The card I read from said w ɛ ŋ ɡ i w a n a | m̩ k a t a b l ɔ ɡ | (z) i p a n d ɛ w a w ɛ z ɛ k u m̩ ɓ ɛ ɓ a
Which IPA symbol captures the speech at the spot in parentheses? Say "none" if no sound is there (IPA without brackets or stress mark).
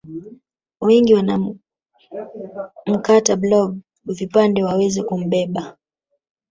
v